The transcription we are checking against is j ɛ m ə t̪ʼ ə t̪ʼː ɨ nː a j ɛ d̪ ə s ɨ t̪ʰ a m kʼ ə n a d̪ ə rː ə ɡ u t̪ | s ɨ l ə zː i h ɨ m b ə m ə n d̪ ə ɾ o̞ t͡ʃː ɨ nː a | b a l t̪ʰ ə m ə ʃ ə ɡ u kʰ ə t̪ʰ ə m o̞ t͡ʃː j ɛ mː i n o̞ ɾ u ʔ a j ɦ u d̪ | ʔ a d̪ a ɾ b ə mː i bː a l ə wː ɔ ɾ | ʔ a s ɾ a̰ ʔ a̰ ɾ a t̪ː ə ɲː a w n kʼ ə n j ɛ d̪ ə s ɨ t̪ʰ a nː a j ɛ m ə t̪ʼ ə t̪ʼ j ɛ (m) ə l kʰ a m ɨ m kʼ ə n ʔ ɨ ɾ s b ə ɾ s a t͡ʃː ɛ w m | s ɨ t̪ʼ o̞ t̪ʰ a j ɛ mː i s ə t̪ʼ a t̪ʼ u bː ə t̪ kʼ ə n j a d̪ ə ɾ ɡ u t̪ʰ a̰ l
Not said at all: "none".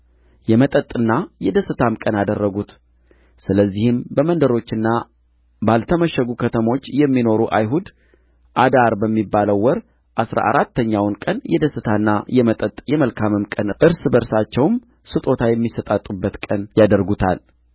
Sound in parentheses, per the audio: m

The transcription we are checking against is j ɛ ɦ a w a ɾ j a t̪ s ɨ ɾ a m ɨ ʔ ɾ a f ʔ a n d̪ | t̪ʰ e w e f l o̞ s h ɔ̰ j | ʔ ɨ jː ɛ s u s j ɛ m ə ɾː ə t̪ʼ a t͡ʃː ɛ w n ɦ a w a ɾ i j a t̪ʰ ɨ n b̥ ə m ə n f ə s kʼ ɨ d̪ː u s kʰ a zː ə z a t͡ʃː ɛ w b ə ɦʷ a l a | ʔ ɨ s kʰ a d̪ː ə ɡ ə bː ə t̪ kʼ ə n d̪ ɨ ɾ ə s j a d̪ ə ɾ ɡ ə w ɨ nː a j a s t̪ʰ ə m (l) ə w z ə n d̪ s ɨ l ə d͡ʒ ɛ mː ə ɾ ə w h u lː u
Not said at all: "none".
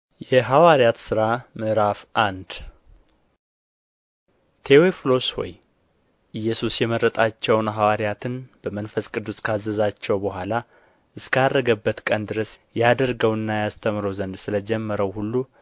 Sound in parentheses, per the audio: ɾ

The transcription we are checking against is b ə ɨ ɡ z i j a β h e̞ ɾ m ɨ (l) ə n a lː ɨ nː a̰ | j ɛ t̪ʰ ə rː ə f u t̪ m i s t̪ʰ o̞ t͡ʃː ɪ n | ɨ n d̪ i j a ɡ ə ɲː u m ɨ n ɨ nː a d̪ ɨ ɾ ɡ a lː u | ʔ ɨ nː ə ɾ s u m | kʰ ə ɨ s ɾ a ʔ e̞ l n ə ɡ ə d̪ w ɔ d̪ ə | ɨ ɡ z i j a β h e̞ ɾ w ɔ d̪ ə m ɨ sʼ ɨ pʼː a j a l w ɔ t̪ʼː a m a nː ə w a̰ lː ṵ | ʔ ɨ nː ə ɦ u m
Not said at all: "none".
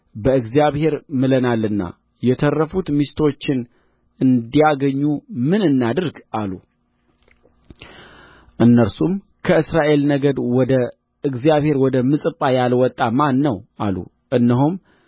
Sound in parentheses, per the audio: l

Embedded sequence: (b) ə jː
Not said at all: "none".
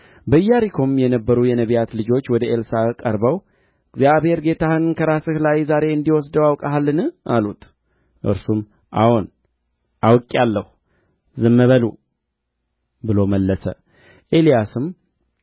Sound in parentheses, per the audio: b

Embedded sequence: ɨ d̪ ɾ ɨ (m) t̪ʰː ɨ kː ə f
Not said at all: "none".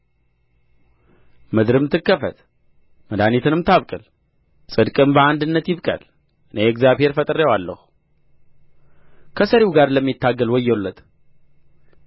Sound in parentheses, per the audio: m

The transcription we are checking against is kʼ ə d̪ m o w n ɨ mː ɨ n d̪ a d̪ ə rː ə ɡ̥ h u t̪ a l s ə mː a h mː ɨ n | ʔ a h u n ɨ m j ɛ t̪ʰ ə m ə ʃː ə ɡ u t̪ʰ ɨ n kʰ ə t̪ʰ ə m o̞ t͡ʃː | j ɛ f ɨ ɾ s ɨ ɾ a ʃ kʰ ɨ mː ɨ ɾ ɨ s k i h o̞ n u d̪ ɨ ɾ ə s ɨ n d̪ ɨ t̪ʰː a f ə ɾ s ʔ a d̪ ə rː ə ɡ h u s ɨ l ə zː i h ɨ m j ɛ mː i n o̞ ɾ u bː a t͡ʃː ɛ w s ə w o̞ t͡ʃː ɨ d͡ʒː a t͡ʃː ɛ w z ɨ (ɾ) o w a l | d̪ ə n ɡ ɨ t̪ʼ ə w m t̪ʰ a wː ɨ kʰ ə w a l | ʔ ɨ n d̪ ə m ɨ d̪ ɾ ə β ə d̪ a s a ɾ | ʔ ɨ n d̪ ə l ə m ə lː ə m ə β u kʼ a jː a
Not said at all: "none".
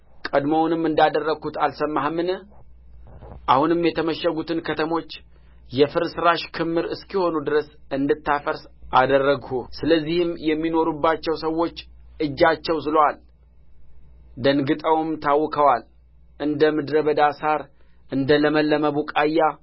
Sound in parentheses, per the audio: l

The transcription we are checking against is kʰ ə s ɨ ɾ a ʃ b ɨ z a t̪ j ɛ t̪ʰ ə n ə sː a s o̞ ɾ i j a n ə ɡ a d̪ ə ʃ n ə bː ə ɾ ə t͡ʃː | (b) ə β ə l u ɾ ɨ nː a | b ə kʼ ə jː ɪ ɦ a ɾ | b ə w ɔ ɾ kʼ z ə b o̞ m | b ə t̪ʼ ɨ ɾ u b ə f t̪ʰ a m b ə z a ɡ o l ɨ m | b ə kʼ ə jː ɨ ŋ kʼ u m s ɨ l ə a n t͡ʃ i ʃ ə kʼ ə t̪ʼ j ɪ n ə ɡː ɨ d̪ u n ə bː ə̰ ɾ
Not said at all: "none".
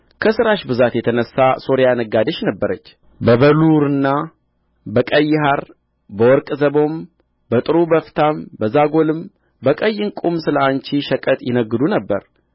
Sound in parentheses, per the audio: b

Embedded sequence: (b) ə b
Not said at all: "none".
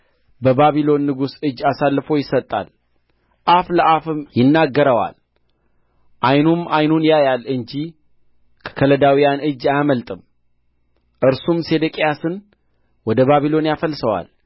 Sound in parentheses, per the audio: b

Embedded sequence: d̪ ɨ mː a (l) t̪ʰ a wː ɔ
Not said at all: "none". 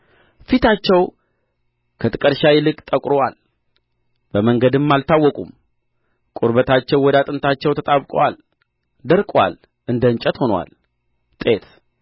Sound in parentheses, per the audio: l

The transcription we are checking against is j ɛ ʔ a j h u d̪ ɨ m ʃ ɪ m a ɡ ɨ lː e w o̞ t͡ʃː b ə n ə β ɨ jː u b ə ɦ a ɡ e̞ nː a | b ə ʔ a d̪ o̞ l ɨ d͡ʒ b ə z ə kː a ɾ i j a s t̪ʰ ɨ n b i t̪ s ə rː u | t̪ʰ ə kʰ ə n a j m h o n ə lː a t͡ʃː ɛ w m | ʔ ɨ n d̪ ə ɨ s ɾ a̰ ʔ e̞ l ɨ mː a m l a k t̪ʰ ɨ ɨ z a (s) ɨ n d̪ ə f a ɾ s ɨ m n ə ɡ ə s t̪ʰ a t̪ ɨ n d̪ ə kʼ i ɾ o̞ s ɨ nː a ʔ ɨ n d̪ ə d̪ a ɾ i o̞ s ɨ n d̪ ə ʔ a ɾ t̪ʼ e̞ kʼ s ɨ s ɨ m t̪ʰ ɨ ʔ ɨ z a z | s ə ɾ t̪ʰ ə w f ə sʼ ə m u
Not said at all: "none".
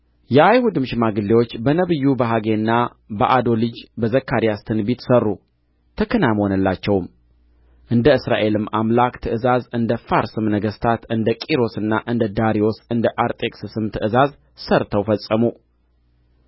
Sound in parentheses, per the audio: z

